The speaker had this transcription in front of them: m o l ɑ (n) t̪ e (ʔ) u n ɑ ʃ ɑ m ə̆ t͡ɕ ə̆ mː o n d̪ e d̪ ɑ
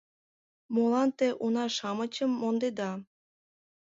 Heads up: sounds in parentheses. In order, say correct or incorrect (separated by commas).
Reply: correct, correct